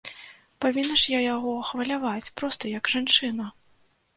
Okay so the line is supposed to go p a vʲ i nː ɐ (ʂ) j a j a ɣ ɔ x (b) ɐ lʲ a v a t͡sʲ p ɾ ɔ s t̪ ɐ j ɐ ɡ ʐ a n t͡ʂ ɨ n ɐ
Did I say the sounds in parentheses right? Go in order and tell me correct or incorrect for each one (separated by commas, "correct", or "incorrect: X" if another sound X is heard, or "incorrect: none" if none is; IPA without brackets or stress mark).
correct, incorrect: v